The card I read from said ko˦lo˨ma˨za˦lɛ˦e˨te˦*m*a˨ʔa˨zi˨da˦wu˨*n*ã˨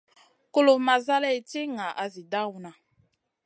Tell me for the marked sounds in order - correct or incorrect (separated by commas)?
incorrect, correct